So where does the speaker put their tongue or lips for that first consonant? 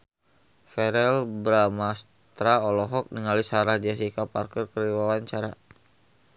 lips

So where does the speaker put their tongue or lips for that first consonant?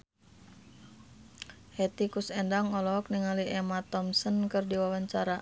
throat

